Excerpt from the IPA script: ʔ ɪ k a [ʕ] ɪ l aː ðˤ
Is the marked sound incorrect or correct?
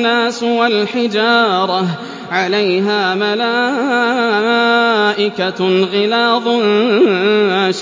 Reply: incorrect: ɣ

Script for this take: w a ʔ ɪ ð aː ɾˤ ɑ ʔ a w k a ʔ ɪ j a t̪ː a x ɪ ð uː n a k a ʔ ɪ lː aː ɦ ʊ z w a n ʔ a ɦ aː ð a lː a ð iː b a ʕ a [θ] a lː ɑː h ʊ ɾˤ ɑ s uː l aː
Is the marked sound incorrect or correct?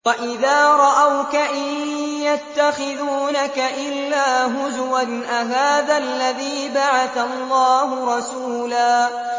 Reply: correct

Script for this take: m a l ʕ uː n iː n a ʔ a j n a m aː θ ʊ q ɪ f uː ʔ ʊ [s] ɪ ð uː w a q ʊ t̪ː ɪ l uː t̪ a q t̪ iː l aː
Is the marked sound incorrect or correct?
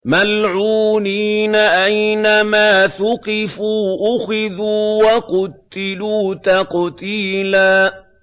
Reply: incorrect: x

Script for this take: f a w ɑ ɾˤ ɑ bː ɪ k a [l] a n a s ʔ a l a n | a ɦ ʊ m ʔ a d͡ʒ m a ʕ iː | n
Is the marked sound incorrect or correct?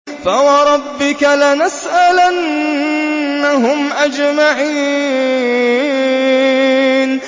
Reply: correct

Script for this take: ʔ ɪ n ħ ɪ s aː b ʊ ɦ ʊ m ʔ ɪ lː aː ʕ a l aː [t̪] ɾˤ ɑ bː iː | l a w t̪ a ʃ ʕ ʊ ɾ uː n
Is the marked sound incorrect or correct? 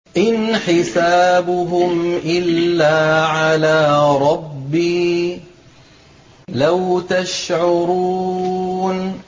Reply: incorrect: none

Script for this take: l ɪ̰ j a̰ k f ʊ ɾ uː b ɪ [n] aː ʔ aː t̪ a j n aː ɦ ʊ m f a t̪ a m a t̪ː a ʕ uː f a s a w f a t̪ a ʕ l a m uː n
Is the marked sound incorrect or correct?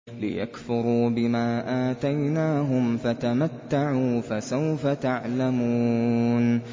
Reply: incorrect: m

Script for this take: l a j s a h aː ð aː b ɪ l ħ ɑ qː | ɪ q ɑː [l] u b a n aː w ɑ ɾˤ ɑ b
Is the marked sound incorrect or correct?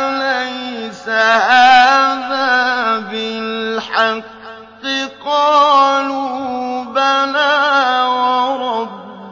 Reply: correct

